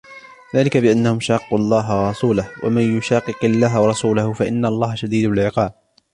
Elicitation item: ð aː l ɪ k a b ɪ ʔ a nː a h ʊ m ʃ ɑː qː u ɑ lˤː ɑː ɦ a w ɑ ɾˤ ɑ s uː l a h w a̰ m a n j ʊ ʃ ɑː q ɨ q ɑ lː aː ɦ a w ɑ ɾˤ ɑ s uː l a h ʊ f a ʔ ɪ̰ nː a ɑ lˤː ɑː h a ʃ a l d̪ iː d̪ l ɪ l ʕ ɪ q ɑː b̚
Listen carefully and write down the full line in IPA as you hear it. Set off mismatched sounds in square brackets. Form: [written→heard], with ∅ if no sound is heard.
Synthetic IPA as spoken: ð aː l ɪ k a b ɪ ʔ a nː a h ʊ m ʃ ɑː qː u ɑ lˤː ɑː ɦ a w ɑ ɾˤ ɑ s uː l a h w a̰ m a n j ʊ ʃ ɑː q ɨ q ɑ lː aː ɦ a w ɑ ɾˤ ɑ s uː l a h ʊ f a ʔ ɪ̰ nː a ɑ lˤː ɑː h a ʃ a [l→∅] d̪ iː d̪ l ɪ l ʕ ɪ q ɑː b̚